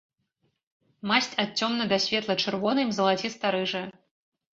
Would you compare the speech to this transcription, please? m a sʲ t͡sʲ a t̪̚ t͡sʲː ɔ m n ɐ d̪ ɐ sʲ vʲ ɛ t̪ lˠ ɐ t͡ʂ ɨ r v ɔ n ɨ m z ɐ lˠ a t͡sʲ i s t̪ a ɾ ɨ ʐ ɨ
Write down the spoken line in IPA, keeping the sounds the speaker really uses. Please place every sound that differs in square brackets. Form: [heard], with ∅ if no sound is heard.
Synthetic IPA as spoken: m a sʲ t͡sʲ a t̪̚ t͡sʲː ɔ m n ɐ d̪ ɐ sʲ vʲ ɛ t̪ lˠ ɐ t͡ʂ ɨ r v ɔ n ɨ m z ɐ lˠ a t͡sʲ i s t̪ a ɾ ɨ ʐ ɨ